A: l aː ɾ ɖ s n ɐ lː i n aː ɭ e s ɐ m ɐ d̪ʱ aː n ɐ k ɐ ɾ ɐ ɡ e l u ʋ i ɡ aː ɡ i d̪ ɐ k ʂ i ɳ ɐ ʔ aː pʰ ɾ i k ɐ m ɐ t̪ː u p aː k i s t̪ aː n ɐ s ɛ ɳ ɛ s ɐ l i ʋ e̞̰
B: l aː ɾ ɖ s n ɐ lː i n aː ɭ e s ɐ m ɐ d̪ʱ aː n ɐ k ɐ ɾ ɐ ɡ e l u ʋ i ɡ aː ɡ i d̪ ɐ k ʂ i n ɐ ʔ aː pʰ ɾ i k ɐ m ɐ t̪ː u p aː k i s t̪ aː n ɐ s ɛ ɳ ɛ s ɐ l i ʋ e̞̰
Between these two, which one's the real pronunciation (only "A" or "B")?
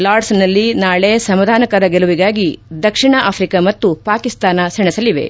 A